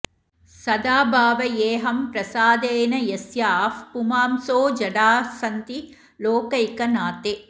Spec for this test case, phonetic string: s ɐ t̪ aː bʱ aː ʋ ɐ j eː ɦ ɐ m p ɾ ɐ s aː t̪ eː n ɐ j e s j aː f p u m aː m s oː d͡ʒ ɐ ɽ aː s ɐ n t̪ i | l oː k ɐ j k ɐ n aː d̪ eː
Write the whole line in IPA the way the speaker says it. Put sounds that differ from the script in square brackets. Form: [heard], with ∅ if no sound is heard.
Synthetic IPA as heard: s ɐ [d̪] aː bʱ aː ʋ ɐ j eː ɦ ɐ m p ɾ ɐ s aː [d̪] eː n ɐ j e s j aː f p u m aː m s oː d͡ʒ ɐ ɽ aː s ɐ n t̪ i | l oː k ɐ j k ɐ n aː [t̪] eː